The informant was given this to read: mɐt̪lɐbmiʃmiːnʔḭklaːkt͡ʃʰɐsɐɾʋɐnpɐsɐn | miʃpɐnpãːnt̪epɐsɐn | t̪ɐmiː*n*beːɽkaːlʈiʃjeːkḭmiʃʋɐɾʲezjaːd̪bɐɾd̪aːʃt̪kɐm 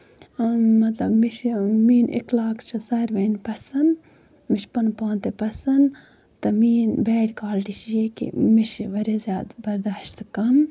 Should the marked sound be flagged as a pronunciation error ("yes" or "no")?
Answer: no